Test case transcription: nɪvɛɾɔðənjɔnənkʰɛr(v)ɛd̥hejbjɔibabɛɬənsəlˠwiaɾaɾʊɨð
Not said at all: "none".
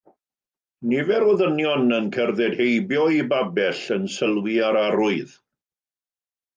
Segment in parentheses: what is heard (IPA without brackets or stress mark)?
ð